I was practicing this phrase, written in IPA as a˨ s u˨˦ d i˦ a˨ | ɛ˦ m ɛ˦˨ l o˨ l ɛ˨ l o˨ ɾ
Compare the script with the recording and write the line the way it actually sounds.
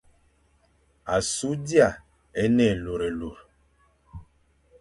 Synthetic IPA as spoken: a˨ s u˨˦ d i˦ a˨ | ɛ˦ n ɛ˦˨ l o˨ ɾ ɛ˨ l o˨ ɾ